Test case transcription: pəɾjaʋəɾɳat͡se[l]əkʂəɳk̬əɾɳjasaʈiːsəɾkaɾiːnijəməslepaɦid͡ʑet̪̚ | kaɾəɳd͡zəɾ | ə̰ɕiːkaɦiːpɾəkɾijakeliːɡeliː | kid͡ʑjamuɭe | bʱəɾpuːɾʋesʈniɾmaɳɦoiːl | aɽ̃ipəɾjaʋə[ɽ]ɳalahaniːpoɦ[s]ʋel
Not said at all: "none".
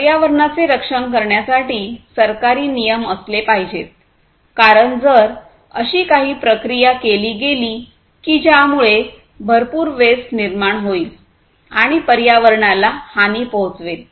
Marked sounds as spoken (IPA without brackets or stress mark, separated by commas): ɾ, ɾ, t͡s